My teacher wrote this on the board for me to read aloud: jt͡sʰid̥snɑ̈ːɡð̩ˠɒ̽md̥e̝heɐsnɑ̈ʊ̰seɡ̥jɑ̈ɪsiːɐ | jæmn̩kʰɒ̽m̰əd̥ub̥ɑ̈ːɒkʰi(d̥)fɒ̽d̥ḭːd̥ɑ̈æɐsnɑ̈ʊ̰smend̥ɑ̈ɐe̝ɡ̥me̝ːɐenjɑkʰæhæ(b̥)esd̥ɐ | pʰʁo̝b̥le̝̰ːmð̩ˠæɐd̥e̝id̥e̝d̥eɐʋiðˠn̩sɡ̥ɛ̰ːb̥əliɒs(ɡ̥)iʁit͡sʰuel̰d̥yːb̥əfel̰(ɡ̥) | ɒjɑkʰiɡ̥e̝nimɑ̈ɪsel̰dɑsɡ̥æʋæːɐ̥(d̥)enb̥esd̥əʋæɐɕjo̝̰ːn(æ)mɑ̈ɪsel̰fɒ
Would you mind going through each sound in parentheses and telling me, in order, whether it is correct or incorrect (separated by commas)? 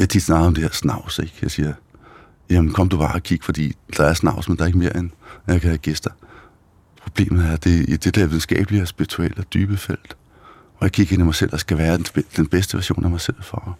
incorrect, incorrect, incorrect, incorrect, correct, correct